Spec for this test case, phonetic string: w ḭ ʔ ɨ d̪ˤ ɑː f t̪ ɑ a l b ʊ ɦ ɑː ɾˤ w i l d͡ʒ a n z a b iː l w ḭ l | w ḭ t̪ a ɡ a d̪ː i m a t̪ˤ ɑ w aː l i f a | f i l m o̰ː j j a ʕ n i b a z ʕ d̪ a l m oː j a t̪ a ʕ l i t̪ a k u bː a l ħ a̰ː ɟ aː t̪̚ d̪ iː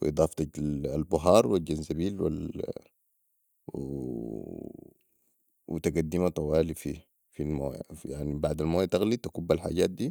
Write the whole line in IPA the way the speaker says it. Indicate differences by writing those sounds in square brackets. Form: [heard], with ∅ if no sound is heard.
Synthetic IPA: w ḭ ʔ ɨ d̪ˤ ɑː f t̪ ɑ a l b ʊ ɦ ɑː ɾˤ w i l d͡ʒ a n z a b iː l w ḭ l | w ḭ t̪ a ɡ a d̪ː i m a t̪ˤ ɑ w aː l i f [i] | f i l m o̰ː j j a ʕ n i b a [∅] ʕ d̪ a l m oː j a t̪ a [ɣ] l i t̪ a k u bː a l ħ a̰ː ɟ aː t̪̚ d̪ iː